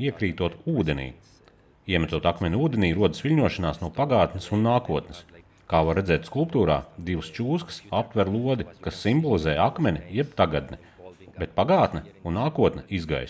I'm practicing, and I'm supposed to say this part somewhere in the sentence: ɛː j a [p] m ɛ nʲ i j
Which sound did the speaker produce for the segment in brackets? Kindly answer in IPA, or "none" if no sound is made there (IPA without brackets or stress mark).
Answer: k